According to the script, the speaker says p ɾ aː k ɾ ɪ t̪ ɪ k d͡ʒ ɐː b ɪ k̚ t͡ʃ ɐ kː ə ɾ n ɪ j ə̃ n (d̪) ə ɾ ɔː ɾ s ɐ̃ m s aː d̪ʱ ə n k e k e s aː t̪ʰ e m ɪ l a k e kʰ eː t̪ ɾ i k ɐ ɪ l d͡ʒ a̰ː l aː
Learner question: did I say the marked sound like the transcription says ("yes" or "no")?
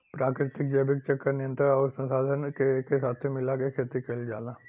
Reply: no